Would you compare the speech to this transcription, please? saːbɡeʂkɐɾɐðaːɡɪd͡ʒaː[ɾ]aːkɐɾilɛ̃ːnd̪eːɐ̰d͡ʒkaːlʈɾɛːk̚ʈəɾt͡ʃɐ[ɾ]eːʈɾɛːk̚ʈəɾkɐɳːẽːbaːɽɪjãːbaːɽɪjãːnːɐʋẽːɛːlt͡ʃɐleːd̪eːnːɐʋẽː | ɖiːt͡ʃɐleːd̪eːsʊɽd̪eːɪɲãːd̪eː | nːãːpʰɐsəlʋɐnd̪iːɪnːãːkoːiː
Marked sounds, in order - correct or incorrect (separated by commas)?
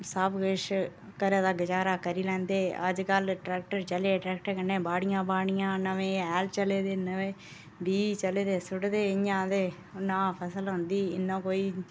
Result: correct, incorrect